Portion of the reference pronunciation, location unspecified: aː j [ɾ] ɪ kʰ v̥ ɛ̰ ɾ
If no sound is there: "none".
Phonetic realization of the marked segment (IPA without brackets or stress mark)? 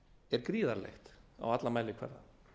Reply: l